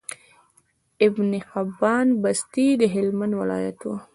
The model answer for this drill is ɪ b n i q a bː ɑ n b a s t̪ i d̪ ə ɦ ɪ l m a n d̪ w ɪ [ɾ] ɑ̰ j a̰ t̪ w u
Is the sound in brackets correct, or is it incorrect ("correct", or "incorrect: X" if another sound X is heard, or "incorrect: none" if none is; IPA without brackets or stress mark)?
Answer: incorrect: l